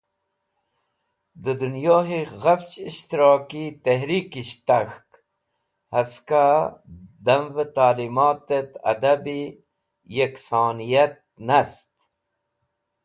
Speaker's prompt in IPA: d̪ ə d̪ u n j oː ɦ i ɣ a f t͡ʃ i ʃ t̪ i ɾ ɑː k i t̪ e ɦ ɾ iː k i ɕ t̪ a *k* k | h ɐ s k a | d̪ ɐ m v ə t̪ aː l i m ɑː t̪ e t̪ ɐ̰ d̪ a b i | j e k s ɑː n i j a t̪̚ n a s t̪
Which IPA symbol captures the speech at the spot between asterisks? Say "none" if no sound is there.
x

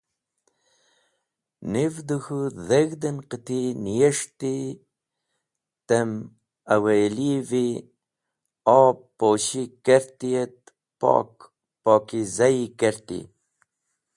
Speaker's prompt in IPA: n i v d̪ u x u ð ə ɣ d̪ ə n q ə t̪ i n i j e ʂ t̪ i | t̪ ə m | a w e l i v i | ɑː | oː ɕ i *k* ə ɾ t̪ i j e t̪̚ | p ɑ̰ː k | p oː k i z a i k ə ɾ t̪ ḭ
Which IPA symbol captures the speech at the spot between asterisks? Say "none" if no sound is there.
k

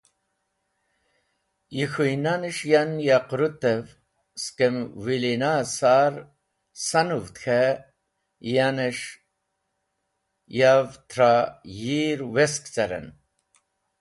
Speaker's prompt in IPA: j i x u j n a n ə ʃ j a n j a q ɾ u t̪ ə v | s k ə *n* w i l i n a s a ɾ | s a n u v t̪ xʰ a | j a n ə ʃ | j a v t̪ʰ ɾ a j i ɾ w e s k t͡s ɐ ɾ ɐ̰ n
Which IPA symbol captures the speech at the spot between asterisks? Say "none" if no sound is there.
m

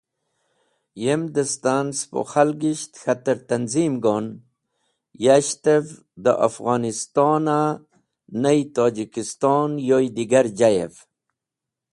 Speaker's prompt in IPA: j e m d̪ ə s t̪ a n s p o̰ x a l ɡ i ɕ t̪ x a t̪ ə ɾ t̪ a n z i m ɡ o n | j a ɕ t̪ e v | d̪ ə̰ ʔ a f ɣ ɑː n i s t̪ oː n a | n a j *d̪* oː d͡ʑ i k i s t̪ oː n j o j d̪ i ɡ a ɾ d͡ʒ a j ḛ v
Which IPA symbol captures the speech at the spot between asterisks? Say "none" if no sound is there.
t̪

